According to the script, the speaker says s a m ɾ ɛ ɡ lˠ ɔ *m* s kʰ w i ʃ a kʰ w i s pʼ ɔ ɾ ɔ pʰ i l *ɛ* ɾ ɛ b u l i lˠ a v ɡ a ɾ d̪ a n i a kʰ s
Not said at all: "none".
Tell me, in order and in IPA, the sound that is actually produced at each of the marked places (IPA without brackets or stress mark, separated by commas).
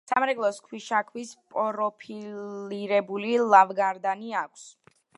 none, i